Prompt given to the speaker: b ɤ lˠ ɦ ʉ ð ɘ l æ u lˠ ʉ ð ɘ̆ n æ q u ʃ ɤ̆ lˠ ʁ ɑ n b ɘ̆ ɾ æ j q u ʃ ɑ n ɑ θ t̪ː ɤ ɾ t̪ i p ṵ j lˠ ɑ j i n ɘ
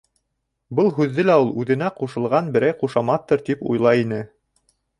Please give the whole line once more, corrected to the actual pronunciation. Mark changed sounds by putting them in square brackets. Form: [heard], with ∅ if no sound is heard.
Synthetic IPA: b ɤ lˠ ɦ ʉ [ðː] ɘ l æ u lˠ ʉ ð ɘ̆ n æ q u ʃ ɤ̆ lˠ ʁ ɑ n b ɘ̆ ɾ æ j q u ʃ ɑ [m] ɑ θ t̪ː ɤ ɾ t̪ i p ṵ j lˠ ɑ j i n ɘ